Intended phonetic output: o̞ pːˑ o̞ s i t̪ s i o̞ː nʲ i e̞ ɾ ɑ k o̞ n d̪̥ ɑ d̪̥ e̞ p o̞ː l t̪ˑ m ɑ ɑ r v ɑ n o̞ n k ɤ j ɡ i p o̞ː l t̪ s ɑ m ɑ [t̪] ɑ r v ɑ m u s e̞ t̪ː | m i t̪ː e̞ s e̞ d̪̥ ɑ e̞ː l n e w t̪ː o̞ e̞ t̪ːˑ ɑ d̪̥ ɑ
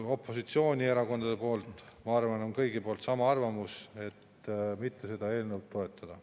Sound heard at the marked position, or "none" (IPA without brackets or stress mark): none